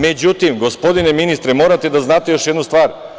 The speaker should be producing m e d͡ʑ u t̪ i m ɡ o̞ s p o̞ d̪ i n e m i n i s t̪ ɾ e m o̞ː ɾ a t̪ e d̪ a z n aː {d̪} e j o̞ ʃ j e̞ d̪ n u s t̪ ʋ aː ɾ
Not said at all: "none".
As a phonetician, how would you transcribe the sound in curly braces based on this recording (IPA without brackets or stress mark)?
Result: t̪